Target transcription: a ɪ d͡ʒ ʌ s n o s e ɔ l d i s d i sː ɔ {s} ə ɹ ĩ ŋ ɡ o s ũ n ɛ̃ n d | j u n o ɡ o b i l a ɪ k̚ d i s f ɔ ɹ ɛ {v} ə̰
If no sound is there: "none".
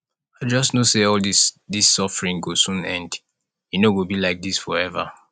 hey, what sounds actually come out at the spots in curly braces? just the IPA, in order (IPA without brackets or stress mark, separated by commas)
f, v